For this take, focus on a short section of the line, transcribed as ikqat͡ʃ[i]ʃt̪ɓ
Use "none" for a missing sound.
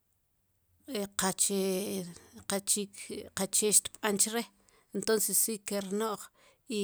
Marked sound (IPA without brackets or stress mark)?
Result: e